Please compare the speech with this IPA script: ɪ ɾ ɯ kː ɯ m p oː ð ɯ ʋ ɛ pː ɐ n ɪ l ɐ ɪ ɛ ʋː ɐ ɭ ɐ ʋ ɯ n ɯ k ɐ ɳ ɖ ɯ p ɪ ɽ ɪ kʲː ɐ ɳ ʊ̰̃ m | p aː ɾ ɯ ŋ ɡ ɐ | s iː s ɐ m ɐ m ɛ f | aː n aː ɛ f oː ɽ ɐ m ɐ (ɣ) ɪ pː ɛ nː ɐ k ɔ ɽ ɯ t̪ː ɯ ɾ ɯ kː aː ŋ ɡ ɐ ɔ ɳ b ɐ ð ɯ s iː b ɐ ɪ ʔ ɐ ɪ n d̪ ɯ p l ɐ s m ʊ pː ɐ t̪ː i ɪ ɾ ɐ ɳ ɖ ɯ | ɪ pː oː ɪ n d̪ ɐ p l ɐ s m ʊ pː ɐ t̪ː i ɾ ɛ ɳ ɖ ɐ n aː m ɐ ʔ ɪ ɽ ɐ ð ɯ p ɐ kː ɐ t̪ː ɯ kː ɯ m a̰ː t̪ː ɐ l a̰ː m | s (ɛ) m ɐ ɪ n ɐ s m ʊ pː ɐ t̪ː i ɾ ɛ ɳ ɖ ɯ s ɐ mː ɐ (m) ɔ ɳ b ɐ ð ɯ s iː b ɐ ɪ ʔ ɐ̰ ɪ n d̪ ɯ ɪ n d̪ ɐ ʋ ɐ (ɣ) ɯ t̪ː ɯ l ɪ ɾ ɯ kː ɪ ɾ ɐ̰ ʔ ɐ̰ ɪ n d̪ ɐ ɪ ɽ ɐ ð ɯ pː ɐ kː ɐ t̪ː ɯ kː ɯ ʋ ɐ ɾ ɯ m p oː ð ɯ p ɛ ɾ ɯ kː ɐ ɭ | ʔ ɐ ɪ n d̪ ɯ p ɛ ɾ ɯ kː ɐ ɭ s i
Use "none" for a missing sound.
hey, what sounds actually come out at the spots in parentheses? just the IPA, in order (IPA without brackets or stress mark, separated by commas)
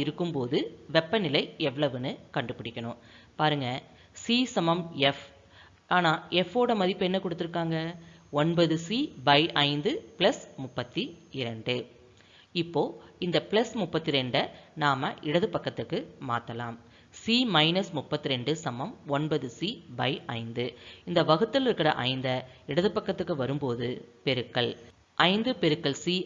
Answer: ð, i, m, ɣ